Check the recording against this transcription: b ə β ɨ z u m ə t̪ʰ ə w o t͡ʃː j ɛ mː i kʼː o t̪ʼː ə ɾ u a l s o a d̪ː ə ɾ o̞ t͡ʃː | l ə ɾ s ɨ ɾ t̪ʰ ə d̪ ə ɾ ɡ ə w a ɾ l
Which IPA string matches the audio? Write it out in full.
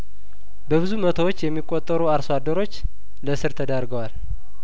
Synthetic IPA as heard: b ə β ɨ z u m ə t̪ʰ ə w o t͡ʃː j ɛ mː i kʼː o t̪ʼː ə ɾ u a ɾ s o a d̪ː ə ɾ o̞ t͡ʃː | l ə s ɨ ɾ t̪ʰ ə d̪ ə ɾ ɡ ə w a l